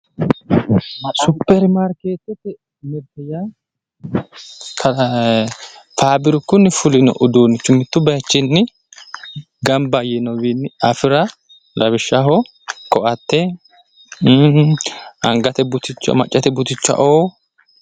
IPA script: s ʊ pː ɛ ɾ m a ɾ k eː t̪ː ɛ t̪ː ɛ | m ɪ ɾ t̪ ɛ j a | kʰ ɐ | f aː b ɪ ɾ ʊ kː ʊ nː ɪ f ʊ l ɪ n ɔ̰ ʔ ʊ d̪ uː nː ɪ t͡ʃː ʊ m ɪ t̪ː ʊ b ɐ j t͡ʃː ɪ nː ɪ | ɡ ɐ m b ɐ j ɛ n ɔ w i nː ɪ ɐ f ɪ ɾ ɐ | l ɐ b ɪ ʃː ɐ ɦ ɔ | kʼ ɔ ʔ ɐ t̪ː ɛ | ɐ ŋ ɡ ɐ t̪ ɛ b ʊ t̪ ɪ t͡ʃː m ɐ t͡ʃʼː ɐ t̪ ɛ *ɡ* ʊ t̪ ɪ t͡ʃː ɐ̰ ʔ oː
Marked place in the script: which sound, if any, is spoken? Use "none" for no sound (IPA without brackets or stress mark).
b